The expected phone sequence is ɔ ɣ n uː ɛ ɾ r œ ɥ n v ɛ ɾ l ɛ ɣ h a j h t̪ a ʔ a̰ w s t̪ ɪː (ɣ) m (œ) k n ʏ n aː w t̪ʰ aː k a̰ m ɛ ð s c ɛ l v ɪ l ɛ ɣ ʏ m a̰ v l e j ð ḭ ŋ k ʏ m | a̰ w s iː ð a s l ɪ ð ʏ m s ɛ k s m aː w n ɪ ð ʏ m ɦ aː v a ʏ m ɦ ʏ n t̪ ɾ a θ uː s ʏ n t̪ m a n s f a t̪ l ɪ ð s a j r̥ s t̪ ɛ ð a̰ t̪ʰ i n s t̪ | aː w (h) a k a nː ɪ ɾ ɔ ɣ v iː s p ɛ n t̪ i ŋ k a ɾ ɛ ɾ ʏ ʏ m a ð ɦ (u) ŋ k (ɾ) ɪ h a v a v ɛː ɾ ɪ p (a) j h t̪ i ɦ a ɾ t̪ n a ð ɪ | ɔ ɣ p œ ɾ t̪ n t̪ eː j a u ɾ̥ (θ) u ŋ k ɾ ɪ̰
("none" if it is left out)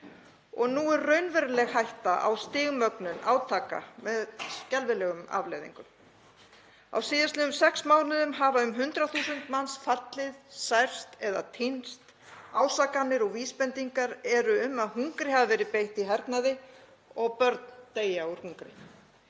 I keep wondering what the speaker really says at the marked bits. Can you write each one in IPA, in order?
ɣ, œ, s, u, ɾ, e, h

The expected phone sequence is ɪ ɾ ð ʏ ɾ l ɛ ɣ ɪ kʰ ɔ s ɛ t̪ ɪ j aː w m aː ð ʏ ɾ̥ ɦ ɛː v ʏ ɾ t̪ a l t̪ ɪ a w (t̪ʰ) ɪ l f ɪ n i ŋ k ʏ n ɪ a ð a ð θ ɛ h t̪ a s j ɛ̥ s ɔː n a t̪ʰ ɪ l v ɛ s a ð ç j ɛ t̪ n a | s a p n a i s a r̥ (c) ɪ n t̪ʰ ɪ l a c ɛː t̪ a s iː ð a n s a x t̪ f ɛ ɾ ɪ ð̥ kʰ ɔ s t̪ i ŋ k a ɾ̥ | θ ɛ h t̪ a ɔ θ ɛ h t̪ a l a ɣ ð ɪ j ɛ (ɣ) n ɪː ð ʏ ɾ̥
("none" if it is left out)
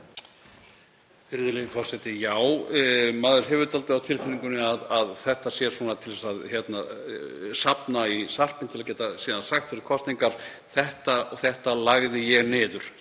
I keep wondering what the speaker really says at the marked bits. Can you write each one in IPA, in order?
t̪ʰ, p, ɣ

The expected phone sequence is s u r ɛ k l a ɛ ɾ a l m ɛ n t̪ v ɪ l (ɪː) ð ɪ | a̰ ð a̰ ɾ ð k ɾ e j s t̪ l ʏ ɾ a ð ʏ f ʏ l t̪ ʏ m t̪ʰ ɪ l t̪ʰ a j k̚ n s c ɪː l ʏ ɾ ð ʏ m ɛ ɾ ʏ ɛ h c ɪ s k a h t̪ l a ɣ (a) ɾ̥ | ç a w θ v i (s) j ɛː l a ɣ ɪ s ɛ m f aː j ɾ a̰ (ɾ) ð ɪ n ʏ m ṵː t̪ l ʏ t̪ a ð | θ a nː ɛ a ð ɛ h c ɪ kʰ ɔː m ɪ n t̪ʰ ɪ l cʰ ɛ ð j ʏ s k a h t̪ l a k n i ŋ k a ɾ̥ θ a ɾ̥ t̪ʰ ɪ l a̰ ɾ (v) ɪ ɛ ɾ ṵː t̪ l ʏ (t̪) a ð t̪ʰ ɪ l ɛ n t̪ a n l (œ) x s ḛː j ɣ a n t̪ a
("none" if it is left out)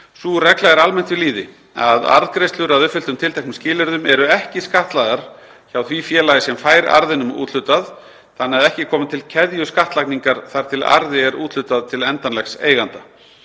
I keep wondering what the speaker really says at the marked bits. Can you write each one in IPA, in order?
iː, a, f, ɾ, ð, t̪, ɛ

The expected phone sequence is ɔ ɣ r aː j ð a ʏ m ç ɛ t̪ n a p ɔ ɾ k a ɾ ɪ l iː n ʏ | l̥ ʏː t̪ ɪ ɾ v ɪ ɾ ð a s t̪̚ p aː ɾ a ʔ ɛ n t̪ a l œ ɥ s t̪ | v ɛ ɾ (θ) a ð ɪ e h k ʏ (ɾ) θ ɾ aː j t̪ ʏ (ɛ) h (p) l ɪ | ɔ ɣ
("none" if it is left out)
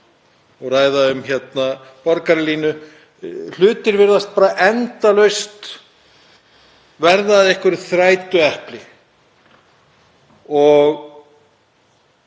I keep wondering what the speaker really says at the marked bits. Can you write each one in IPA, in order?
ð, ɾ, ɛ, p

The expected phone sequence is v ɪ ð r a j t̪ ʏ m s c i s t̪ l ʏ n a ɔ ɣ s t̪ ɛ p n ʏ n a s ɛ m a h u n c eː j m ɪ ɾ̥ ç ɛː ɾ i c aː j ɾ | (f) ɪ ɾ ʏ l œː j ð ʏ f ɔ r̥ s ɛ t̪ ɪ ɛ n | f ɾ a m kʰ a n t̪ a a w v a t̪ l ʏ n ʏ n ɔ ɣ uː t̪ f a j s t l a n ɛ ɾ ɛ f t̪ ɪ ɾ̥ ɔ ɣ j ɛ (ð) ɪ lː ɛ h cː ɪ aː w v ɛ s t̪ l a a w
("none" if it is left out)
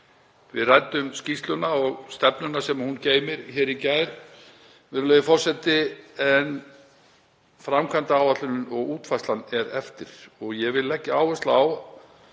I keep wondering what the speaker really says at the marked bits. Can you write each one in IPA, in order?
v, v

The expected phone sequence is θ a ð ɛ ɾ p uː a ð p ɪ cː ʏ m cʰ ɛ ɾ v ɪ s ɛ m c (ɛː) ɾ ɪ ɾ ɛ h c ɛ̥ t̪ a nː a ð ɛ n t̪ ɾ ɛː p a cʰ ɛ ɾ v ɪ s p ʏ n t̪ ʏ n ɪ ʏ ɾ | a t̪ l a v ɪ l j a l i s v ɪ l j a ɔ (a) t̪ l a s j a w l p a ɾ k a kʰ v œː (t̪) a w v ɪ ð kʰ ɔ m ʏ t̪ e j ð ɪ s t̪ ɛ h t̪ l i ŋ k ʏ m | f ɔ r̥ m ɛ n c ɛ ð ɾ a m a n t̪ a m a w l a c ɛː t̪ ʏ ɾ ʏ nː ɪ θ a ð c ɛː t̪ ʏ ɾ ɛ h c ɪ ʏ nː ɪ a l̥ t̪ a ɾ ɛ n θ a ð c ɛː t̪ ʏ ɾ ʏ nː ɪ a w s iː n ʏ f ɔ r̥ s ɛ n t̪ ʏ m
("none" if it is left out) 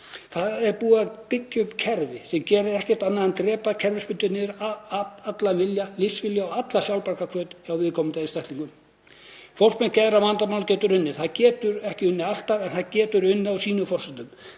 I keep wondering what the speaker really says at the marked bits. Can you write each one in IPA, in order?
ɛː, a, t̪

